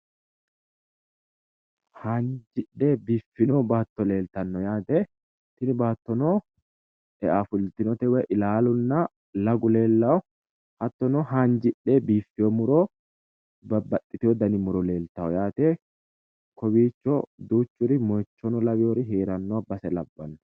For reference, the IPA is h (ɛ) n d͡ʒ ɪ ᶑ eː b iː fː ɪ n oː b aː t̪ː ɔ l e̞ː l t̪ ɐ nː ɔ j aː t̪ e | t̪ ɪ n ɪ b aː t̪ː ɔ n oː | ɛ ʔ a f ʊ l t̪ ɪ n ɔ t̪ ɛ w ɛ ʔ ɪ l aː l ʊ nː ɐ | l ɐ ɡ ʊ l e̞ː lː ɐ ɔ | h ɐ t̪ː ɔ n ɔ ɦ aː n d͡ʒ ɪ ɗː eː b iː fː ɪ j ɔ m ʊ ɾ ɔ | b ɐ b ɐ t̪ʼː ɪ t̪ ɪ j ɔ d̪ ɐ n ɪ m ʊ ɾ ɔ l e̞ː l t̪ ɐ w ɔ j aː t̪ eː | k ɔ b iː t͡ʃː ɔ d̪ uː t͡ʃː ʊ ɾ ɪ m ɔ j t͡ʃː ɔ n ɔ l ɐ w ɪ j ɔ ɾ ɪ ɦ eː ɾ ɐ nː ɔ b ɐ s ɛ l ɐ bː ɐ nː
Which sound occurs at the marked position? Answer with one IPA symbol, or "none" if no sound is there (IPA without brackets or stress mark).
a